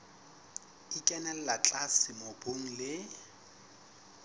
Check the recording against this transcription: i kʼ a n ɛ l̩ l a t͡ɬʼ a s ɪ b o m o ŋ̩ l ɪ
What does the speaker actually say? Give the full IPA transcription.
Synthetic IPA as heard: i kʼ ɛ n ɛ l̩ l a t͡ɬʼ a s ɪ m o b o ŋ̩ l ɪ

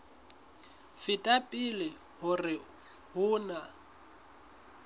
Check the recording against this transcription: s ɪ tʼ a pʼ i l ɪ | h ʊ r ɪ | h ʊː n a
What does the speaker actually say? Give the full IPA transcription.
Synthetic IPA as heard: f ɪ tʼ a pʼ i l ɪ | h ʊ r ɪ | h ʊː n a

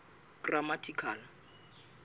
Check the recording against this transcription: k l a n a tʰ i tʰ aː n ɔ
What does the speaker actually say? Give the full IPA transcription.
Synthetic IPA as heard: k r a m a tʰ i kʰ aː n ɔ

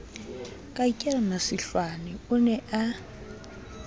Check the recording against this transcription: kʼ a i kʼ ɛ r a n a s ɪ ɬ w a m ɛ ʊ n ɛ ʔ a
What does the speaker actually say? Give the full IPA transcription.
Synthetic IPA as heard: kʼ a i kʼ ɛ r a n a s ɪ ɬ w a n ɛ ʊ n ɛ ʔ a

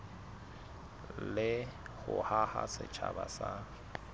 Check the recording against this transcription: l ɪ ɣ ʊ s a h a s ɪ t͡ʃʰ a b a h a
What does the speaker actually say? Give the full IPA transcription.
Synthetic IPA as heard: l ɪ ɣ ʊ h a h a s ɪ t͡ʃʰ a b a s a

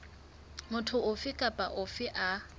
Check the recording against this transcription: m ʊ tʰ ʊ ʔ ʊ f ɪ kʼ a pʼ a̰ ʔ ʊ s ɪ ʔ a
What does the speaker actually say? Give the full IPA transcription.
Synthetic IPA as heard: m ʊ tʰ ʊ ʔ ʊ f ɪ kʼ a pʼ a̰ ʔ ʊ f ɪ ʔ a

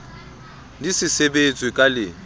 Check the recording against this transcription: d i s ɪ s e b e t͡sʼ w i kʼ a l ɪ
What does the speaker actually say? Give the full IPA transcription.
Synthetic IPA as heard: d i s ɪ s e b e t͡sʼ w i kʼ a l ɪ

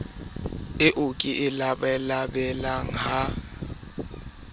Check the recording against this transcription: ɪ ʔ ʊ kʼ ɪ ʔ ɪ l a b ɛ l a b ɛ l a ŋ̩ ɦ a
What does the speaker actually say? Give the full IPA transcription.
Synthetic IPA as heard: ɪ ʔ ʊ kʼ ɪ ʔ ɪ l a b ɛ l a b ɛ l a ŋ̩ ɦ a

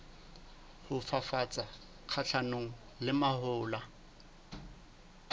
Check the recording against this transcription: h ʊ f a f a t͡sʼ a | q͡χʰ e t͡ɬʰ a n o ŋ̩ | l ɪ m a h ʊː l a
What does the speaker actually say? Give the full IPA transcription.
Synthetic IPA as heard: h ʊ f a f a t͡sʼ a | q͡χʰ a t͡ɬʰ a n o ŋ̩ | l ɪ m a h ʊː l a

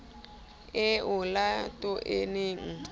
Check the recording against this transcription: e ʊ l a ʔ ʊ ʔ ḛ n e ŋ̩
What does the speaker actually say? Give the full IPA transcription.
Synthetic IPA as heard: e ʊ l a t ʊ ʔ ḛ n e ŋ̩

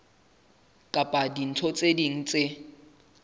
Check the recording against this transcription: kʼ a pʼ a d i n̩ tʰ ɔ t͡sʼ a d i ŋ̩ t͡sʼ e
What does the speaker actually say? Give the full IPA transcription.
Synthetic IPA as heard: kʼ a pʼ a d i n̩ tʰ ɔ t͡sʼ e d i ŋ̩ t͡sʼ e

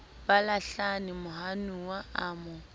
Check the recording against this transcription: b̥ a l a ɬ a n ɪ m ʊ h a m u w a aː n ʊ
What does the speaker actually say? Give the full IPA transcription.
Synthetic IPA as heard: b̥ a l a ɬ a n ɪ m ʊ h a n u w a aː m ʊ

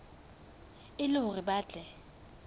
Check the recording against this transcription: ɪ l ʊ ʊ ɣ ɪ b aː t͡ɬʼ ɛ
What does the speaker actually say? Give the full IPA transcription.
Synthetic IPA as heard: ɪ l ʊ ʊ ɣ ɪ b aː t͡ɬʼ ɛ

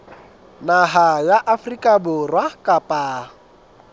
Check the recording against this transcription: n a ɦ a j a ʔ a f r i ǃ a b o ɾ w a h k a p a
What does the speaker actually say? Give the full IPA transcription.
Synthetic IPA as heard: n a ɦ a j a ʔ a f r i k a b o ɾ w a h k a p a

